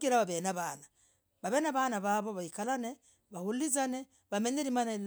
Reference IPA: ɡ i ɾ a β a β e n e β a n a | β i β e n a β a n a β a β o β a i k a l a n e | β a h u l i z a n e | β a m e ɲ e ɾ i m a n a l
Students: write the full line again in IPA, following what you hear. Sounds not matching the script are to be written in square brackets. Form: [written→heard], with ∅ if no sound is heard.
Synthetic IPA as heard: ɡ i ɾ a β a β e n [e→a] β a n a | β [i→a] β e n a β a n a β a β o β a i k a l a n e | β a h u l i z a n e | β a m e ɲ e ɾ i m a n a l